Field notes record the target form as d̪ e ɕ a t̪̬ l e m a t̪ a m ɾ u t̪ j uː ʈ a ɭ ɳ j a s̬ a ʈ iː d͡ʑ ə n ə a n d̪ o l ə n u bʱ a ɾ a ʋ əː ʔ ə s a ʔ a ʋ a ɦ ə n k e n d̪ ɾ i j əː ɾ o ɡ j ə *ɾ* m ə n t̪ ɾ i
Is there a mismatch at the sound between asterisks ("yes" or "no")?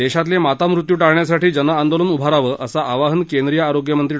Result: yes